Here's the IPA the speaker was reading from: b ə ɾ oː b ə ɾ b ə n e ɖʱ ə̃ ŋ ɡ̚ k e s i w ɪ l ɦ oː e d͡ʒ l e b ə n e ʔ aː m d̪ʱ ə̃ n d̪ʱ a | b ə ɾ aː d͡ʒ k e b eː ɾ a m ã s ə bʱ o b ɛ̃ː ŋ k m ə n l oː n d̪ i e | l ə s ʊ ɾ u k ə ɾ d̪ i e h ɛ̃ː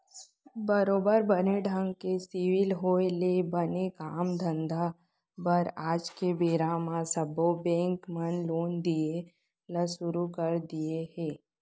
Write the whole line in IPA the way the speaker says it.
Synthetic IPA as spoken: b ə ɾ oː b ə ɾ b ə n e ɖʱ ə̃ ŋ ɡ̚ k e s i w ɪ l ɦ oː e l e b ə n e k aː m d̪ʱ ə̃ n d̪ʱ a | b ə ɾ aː d͡ʒ k e b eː ɾ a m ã s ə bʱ o b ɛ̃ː ŋ k m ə n l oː n d̪ i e | l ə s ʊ ɾ u k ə ɾ d̪ i e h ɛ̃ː